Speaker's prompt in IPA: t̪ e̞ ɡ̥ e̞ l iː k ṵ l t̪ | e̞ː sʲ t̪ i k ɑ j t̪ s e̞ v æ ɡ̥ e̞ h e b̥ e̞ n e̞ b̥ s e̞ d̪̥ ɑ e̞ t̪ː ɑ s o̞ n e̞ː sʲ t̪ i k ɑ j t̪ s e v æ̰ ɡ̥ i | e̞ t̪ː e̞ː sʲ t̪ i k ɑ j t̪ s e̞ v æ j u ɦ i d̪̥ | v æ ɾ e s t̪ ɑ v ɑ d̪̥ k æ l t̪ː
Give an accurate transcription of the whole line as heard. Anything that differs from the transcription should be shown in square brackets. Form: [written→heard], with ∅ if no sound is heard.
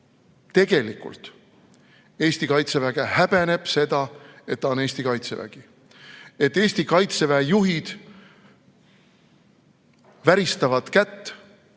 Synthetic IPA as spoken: t̪ e̞ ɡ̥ e̞ l [iː→i] k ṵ l t̪ | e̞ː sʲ t̪ i k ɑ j t̪ s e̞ v æ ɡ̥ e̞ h [e→æ] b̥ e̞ n e̞ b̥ s e̞ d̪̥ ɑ e̞ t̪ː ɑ [s→∅] o̞ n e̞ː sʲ t̪ i k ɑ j t̪ s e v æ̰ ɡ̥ i | e̞ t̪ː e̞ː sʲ t̪ i k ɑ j t̪ s e̞ v æ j u ɦ i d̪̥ | v æ ɾ [e→i] s t̪ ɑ v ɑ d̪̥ k æ [l→∅] t̪ː

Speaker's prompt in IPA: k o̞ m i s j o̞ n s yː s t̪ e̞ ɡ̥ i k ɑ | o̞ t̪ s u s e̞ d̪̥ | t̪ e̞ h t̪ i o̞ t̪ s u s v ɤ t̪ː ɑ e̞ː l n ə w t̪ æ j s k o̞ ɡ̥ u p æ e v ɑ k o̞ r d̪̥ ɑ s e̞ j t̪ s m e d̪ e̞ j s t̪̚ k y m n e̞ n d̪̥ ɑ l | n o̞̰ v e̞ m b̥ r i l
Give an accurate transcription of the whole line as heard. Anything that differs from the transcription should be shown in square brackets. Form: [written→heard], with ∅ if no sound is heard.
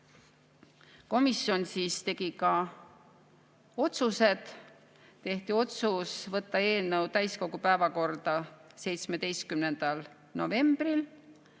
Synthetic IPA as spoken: k o̞ m i s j o̞ n s [yː→iː] s t̪ e̞ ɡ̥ i k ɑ | o̞ t̪ s u s e̞ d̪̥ | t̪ e̞ h t̪ i o̞ t̪ s u s v ɤ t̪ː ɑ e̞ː l n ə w t̪ æ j s k o̞ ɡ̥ u p æ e v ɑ k o̞ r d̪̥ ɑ s e̞ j t̪ s m e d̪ e̞ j s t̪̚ k y m n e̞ n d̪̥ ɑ l | n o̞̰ v e̞ m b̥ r i l

